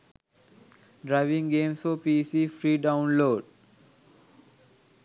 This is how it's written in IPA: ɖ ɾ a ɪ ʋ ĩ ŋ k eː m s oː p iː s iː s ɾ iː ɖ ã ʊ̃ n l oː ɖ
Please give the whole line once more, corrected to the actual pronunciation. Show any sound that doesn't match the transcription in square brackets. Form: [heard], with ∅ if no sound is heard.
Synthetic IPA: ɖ ɾ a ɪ ʋ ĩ ŋ [ɡ] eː m s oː p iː s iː [f] ɾ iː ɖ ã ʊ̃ n l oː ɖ

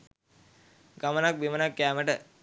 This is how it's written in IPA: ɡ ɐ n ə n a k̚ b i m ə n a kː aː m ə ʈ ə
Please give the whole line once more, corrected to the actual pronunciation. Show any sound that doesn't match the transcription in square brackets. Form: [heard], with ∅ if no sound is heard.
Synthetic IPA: ɡ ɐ [m] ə n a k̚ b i m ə n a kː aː m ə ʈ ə

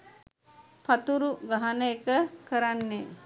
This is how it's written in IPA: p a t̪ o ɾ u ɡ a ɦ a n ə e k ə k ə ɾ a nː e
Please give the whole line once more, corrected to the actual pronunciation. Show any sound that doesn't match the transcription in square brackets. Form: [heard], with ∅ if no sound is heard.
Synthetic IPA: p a t̪ [u] ɾ u ɡ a ɦ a n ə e k ə k ə ɾ a nː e

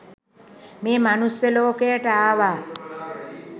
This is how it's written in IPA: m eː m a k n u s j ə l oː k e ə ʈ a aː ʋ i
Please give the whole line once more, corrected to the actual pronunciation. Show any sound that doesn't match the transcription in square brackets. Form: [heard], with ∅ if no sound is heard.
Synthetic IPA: m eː m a [∅] n u s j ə l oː k e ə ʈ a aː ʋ [a]

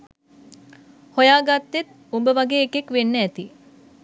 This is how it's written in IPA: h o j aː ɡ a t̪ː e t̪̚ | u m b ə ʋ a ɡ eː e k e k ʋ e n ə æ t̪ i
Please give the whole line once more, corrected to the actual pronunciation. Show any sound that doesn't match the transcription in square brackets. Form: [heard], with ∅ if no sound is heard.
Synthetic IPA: h o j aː ɡ a t̪ː e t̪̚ | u m b ə ʋ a ɡ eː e k e k ʋ e [nː] ə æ t̪ i

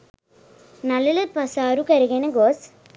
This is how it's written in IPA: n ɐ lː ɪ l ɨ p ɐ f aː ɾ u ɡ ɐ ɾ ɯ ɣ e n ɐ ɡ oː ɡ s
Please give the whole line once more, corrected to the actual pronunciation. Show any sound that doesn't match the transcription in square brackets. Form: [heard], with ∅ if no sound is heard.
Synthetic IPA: n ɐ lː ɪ l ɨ p ɐ [s] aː ɾ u [k] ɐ ɾ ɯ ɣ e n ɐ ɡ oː [∅] s

